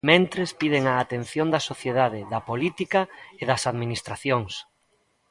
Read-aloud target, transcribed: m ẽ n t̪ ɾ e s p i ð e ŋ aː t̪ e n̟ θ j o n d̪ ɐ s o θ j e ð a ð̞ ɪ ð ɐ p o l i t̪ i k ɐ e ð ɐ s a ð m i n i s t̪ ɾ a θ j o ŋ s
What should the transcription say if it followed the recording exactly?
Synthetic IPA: m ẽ n t̪ ɾ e s p i ð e ŋ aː t̪ e n̟ θ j o n d̪ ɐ s o θ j e ð a ð̞ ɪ ð ɐ p o l i t̪ i k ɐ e ð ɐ s a ð m i n i s t̪ ɾ a θ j o ŋ s